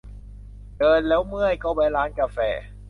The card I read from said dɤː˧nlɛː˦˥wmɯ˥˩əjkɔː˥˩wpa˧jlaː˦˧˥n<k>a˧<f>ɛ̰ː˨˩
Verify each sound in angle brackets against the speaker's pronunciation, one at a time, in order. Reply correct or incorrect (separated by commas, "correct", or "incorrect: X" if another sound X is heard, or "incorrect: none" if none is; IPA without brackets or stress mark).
correct, correct